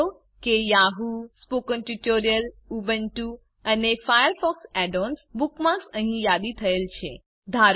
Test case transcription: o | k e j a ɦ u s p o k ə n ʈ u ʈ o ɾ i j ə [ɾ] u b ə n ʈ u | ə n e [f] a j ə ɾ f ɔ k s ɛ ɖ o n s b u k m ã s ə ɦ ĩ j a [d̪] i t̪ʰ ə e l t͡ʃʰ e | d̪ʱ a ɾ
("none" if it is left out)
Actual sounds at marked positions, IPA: l, f, d̪

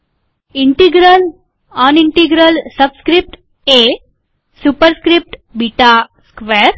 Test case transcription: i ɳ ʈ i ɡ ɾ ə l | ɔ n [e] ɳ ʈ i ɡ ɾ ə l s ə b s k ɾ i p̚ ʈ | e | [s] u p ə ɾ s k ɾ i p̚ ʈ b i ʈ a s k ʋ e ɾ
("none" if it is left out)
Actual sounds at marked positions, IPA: i, s

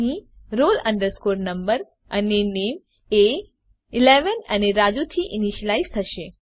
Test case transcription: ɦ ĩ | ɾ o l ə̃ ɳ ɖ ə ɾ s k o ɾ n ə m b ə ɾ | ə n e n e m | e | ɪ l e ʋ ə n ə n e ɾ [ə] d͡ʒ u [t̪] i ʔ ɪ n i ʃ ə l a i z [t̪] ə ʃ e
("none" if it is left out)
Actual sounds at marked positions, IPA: a, t̪ʰ, t̪ʰ

